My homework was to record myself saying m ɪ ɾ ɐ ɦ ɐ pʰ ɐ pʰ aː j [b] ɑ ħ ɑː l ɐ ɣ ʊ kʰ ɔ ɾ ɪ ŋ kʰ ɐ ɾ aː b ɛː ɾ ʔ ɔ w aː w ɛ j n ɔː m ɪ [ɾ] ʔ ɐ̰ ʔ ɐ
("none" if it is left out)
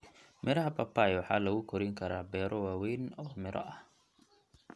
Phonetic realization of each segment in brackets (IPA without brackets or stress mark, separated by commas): w, ɾ